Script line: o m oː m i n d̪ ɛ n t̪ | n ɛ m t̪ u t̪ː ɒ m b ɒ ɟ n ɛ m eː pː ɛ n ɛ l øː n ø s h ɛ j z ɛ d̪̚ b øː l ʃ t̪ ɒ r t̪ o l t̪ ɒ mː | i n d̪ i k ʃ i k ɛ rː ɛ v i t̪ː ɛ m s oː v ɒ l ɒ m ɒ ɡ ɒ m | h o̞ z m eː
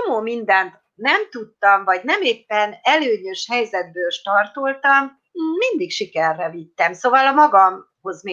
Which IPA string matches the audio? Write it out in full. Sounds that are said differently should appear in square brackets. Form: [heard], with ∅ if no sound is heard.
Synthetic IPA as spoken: o m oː m i n d̪ ɛ n t̪ | n ɛ m t̪ u t̪ː ɒ m [v] ɒ ɟ n ɛ m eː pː ɛ n ɛ l øː [ɲ] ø [ʃ] h ɛ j z ɛ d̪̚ b øː l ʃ t̪ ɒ r t̪ o l t̪ ɒ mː | i n d̪ i k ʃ i k ɛ rː ɛ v i t̪ː ɛ m s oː v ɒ l ɒ m ɒ ɡ ɒ m | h o̞ z m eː